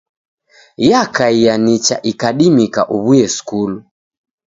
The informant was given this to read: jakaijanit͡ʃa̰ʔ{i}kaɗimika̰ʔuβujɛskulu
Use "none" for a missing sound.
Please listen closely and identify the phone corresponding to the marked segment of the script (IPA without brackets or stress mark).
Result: i